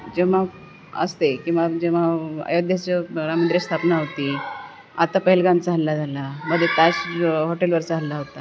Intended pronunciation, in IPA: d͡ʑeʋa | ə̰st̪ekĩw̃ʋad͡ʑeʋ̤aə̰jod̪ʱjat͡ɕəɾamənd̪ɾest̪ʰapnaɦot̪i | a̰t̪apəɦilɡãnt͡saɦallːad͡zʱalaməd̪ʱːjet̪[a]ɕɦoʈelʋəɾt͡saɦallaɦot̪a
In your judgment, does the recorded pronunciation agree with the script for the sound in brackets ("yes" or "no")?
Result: yes